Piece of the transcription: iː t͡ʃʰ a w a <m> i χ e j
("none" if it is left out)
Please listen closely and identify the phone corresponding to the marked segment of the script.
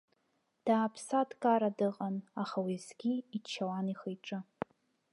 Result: n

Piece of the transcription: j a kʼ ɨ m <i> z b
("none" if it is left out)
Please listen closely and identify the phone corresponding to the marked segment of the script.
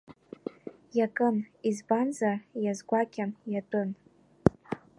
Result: i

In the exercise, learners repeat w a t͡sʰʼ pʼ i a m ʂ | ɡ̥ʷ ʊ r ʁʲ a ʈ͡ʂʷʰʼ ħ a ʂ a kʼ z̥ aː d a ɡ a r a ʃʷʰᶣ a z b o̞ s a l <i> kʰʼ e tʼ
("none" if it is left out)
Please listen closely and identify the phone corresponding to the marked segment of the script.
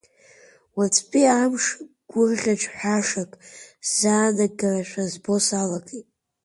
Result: a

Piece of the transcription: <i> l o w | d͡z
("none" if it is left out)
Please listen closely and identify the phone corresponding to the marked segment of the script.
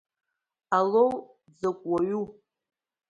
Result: a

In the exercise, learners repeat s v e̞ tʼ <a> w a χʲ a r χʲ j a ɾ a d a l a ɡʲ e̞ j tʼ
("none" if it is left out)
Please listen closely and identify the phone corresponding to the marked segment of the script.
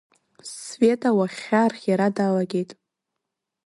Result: a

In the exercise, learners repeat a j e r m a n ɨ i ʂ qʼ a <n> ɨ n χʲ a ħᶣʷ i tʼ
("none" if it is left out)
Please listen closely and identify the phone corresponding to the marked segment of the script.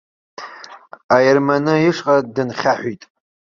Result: d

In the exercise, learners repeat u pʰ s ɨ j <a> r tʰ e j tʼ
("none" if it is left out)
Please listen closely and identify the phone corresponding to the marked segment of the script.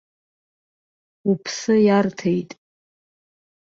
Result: a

